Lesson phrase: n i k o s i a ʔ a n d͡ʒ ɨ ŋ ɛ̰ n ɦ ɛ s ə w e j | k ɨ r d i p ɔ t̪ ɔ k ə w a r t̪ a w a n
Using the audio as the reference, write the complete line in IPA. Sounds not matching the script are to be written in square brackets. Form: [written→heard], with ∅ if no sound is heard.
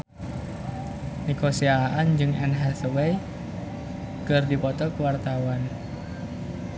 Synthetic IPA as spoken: n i k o s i a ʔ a n d͡ʒ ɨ ŋ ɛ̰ n ɦ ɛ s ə w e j | k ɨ r d i p ɔ t̪ ɔ k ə w a r t̪ a w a n